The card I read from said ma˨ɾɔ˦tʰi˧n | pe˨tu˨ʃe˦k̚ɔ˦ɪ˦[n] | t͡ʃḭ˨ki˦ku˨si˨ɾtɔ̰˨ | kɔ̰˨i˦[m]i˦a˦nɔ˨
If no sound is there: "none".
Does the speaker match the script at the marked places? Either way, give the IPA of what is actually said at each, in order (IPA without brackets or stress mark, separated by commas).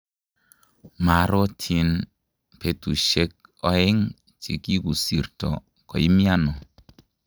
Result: ŋ, m